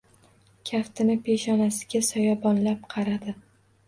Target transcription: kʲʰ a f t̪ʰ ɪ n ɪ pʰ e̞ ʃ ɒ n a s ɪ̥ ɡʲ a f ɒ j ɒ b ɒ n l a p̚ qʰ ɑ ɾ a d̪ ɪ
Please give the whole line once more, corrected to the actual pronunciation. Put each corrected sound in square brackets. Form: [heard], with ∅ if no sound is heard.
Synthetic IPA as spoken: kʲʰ a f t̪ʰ ɪ n ɪ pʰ e̞ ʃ ɒ n a s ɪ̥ ɡʲ a [s] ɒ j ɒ b ɒ n l a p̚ qʰ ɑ ɾ a d̪ ɪ